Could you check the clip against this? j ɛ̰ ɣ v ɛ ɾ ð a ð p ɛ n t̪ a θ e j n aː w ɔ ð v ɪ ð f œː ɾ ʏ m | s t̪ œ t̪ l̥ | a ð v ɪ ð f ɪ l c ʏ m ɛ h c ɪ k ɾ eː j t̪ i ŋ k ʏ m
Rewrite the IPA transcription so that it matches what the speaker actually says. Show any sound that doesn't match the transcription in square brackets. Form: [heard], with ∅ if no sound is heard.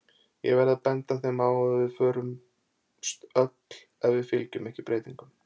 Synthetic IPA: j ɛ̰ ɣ v ɛ ɾ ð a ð p ɛ n t̪ a θ e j [m] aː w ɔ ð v ɪ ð f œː ɾ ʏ m | s t̪ œ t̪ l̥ | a ð v ɪ ð f ɪ l c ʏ m ɛ h c ɪ [p] ɾ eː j t̪ i ŋ k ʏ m